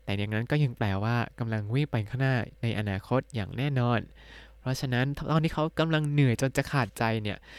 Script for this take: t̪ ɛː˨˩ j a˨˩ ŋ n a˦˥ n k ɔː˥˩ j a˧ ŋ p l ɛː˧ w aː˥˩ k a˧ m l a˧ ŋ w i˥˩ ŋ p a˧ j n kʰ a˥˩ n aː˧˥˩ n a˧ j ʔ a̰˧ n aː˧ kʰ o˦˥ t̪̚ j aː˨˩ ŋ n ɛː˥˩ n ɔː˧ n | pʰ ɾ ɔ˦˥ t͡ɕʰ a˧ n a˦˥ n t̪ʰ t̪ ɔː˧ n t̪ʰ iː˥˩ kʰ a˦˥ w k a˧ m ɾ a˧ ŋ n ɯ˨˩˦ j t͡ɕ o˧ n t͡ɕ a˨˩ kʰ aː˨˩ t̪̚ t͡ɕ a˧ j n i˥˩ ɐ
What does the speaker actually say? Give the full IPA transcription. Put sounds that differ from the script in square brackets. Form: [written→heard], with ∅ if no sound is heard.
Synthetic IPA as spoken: t̪ ɛː˨˩ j a˨˩ ŋ n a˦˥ n k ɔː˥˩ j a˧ ŋ p l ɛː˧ w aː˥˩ k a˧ m l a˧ ŋ w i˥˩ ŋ p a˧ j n kʰ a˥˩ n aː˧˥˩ n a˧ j ʔ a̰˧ n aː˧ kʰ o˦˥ t̪̚ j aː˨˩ ŋ n ɛː˥˩ n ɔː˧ n | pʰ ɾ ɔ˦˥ t͡ɕʰ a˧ n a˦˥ n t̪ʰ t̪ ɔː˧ n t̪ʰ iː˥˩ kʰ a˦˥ w k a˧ m [ɾ→l] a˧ ŋ n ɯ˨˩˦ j t͡ɕ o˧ n t͡ɕ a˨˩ kʰ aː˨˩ t̪̚ t͡ɕ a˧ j n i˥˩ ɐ